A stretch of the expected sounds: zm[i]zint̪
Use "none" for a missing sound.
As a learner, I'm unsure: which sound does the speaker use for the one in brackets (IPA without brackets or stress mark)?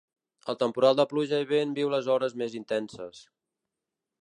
e